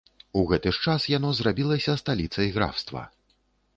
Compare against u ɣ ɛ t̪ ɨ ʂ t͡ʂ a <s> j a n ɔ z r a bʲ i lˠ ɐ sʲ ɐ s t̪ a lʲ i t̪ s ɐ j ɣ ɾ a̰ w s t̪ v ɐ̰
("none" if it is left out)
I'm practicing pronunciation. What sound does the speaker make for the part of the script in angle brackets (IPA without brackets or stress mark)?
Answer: s